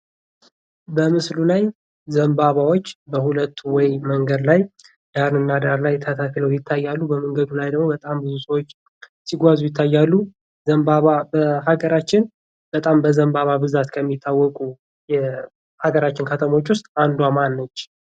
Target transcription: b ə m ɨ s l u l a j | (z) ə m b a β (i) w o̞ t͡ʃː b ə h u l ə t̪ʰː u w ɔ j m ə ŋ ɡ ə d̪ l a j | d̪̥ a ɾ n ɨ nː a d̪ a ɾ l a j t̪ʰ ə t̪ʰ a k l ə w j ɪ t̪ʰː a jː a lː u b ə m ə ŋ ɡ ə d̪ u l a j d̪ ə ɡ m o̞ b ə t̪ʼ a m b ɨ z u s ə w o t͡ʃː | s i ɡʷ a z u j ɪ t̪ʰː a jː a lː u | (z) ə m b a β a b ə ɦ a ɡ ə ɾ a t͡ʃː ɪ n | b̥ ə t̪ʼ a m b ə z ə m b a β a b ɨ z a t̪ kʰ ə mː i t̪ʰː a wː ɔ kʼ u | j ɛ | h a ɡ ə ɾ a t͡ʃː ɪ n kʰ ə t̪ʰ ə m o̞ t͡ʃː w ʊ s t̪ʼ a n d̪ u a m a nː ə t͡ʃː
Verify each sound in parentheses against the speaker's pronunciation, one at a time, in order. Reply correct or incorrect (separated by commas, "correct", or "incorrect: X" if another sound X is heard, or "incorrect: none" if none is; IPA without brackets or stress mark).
correct, incorrect: a, correct